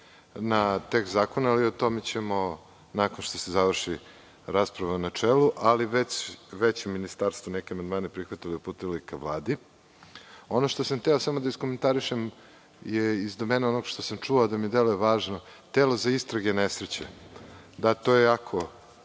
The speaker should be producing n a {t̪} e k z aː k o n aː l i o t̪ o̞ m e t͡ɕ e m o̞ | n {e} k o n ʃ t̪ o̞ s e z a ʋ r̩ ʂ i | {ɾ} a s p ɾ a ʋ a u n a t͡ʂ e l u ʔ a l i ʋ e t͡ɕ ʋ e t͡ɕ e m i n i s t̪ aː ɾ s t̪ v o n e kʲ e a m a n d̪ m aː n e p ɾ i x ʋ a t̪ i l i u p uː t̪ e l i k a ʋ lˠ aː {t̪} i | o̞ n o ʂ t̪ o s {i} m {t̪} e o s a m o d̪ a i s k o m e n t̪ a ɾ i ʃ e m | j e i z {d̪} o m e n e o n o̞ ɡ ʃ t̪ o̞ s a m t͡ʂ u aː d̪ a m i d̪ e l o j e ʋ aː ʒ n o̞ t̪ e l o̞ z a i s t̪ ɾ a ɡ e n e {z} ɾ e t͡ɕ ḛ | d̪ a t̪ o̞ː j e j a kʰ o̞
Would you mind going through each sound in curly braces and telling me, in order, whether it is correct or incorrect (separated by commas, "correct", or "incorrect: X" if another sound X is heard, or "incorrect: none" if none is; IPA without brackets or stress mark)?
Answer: correct, incorrect: a, correct, incorrect: d̪, incorrect: a, correct, correct, incorrect: s